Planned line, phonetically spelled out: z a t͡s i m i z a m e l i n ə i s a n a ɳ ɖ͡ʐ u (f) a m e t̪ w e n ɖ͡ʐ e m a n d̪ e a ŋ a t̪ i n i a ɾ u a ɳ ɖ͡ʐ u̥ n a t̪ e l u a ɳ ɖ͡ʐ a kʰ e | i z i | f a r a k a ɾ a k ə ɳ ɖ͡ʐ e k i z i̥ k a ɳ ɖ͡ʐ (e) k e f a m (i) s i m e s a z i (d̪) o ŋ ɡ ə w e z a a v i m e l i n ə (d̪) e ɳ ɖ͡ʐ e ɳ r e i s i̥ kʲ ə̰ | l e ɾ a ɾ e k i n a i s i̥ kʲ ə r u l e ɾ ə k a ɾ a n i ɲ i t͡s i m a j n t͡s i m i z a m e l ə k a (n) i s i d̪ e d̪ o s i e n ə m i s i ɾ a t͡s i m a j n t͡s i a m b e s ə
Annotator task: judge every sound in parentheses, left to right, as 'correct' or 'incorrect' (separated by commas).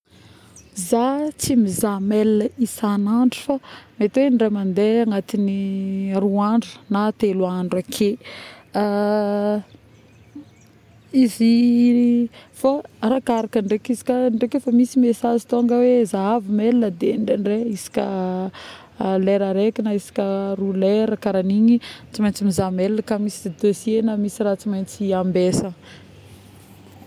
correct, correct, correct, incorrect, correct, incorrect